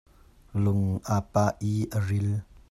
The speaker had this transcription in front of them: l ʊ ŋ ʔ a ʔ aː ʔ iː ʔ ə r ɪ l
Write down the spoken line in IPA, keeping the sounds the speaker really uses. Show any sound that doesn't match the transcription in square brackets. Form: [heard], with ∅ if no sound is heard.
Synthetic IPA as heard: l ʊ ŋ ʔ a [p] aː ʔ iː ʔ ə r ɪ l